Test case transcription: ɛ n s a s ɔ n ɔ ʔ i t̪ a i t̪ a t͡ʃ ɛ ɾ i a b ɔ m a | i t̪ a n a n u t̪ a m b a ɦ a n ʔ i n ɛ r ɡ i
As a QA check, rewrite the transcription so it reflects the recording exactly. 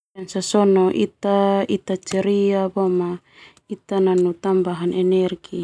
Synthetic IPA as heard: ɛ n s a s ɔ n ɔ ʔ i t̪ a i t̪ a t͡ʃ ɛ ɾ i a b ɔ m a | i t̪ a n a n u t̪ a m b a ɦ a n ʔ ɛ n ɛ r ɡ i